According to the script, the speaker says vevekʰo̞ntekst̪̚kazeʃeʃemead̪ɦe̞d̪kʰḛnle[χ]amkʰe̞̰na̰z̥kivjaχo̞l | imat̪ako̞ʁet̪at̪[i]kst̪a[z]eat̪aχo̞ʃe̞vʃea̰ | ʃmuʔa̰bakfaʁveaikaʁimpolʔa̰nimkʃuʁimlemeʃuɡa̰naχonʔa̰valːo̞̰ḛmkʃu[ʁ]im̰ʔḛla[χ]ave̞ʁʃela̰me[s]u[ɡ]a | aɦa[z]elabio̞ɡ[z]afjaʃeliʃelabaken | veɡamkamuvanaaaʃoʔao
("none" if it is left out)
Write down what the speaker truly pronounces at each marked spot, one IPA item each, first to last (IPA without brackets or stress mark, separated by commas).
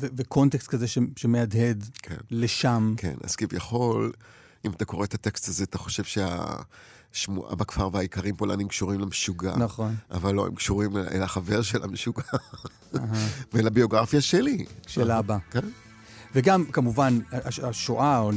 ʃ, e, z, ʁ, χ, ʃ, ɡ, v, ʁ